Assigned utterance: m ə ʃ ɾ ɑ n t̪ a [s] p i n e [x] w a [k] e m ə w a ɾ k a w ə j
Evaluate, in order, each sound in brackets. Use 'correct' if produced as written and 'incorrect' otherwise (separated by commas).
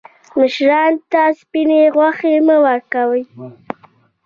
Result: correct, incorrect, incorrect